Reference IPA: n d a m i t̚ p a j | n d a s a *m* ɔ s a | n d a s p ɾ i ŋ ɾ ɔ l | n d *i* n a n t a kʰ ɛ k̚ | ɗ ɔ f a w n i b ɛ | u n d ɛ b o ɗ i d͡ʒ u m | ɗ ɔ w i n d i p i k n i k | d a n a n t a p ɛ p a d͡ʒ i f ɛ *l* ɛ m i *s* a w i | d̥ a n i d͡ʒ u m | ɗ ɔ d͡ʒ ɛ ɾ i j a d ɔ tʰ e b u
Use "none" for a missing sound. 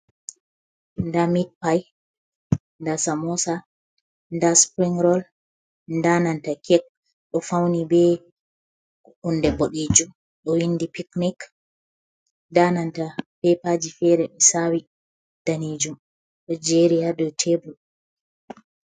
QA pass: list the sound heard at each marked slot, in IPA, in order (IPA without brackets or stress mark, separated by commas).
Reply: m, a, ɾ, s